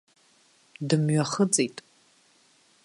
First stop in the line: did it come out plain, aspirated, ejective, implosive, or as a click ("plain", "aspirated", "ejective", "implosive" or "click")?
plain